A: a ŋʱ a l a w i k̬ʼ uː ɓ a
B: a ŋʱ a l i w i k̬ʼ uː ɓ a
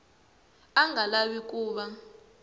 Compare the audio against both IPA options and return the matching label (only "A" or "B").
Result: A